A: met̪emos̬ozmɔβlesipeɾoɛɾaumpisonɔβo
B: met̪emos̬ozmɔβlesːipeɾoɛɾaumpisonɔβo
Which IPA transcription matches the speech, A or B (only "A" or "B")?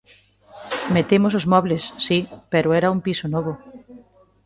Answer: B